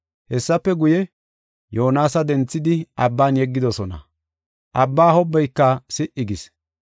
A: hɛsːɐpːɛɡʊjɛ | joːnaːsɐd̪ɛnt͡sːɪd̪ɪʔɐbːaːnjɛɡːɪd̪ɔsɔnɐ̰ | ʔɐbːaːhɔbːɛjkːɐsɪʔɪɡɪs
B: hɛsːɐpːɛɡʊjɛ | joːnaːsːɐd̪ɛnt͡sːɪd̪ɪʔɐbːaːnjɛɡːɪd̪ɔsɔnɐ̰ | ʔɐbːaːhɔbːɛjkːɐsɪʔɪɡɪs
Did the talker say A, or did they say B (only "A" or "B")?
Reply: A